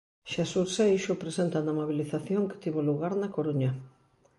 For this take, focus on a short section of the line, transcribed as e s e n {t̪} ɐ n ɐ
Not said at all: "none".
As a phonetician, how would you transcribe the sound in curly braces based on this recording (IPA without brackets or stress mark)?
t̪